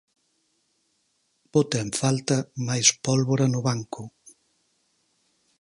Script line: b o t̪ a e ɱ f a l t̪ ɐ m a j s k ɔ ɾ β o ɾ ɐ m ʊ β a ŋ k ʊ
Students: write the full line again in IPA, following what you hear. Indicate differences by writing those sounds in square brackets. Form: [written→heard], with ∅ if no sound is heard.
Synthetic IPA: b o t̪ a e ɱ f a l t̪ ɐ m a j s [k→p] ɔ [ɾ→l] β o ɾ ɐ [m→n] ʊ β a ŋ k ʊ